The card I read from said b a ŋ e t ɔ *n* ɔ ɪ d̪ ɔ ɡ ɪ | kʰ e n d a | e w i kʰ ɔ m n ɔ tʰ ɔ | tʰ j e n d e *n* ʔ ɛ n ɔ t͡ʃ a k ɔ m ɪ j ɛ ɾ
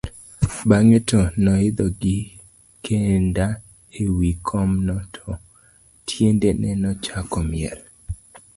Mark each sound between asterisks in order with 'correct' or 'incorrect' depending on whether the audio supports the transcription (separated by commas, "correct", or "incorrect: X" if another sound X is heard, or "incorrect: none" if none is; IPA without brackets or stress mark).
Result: correct, correct